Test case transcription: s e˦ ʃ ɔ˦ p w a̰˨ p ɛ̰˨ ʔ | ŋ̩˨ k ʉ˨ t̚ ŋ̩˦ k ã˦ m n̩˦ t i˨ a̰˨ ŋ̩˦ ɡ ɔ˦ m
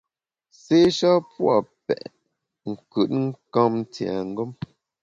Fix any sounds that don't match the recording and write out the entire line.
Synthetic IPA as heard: s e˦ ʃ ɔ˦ p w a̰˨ p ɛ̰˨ ʔ | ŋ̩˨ k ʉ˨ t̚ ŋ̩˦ k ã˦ m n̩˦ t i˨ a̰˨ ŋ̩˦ ɡ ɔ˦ m